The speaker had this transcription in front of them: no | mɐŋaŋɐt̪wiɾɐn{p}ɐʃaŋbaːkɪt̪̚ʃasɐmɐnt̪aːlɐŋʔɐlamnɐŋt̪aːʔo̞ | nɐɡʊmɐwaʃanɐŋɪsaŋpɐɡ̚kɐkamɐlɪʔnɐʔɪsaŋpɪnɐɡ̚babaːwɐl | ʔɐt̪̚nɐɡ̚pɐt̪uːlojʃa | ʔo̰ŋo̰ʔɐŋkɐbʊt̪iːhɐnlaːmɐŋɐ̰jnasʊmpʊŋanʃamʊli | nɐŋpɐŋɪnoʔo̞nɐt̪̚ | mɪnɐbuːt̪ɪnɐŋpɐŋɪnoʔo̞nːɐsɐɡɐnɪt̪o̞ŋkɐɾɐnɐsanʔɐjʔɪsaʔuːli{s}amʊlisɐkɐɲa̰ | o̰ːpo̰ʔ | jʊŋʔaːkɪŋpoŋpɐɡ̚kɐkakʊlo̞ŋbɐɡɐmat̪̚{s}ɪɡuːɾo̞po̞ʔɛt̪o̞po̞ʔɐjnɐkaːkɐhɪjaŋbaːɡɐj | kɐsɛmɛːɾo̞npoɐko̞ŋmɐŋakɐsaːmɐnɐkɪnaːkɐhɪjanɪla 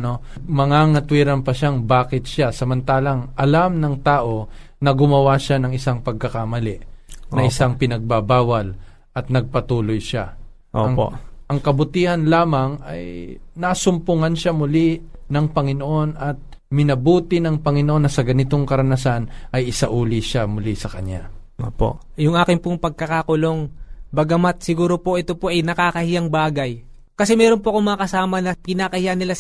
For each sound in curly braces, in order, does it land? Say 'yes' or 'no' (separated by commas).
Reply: yes, no, yes